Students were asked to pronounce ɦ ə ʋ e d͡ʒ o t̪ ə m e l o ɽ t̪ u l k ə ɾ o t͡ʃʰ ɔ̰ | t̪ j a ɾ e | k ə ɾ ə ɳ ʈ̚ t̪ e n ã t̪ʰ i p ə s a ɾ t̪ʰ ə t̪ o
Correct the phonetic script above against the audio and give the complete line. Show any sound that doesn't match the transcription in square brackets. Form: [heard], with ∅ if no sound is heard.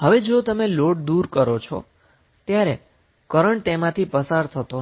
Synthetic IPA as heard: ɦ ə ʋ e d͡ʒ o t̪ ə m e l o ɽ [d̪] u [ɾ] k ə ɾ o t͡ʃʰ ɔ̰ | t̪ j a ɾ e | k ə ɾ ə ɳ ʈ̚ t̪ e [m] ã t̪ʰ i p ə s a ɾ t̪ʰ ə t̪ o